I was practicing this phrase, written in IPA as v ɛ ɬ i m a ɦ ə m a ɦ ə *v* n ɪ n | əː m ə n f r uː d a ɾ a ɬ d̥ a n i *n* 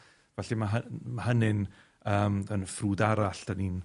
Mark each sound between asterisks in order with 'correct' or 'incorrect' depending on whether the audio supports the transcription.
incorrect, correct

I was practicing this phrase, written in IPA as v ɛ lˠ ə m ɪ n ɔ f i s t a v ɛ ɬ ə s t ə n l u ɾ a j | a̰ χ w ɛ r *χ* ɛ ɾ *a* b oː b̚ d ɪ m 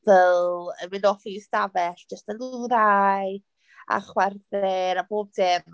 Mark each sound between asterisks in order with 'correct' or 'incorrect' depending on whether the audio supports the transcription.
incorrect, correct

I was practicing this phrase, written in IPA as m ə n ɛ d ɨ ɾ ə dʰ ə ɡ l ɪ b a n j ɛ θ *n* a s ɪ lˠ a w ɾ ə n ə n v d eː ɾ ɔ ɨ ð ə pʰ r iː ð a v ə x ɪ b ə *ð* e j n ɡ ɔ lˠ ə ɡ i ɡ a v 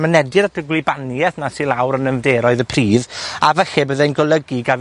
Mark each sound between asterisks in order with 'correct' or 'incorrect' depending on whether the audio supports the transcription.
correct, correct

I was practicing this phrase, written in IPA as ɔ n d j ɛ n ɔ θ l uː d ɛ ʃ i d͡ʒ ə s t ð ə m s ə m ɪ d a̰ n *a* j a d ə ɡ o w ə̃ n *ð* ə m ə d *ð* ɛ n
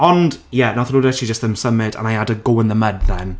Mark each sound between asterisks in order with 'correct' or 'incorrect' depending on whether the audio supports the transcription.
correct, correct, correct

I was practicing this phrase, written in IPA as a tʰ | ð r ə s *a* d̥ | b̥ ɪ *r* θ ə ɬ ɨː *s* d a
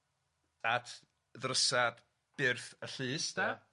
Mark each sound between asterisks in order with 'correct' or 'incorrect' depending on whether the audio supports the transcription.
correct, correct, correct

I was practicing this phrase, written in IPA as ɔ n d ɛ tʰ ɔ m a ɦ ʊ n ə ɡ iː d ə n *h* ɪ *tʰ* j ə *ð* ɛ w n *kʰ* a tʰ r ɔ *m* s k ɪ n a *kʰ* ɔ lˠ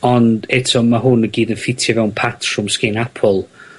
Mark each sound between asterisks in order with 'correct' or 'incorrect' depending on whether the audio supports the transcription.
incorrect, correct, incorrect, incorrect, correct, incorrect

